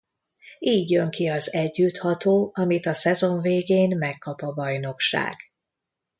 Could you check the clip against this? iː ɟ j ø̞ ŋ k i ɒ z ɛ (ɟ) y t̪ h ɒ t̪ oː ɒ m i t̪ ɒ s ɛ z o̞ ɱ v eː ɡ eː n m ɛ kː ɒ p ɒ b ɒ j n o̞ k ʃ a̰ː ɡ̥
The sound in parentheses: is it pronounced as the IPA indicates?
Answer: no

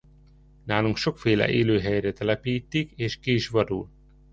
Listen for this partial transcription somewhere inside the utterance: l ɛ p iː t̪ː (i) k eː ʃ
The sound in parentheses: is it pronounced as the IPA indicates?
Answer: yes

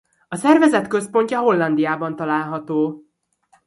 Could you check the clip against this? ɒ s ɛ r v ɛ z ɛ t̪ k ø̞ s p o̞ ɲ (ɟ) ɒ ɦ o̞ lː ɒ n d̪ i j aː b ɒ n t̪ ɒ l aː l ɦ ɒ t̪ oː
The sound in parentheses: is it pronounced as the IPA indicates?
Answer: no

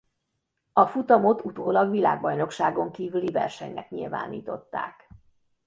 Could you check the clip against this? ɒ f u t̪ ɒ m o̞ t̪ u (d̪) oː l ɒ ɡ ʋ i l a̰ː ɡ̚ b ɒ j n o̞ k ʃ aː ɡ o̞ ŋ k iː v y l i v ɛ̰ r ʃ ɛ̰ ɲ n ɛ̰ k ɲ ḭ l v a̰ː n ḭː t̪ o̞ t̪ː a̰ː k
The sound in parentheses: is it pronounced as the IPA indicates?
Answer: no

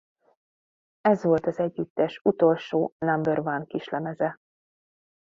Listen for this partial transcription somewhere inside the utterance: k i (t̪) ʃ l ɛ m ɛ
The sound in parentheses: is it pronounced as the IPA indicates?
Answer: no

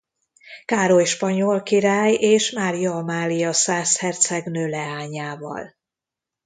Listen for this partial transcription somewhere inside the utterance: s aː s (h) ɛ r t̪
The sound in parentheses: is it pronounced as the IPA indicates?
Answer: yes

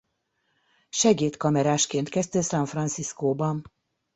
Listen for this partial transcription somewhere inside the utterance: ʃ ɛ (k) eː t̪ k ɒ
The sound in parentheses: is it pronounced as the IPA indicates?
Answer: no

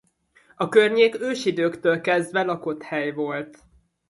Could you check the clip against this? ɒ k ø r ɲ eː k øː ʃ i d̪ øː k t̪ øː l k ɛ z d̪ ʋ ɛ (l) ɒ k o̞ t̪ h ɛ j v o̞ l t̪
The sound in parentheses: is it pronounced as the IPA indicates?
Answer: yes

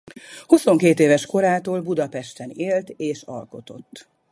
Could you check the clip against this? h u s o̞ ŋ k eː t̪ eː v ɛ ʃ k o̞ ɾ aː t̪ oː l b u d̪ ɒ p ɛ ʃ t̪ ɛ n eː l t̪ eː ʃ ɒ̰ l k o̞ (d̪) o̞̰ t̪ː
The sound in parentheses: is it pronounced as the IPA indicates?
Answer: no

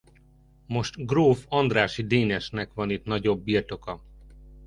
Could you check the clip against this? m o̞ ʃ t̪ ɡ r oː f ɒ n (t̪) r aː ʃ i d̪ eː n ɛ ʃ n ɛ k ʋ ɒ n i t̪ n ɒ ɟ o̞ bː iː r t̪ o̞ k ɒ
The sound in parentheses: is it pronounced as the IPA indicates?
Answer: no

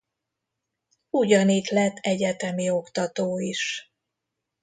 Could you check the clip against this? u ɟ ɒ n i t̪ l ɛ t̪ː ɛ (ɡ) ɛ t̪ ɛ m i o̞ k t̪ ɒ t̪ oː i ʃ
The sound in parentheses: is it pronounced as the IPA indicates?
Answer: no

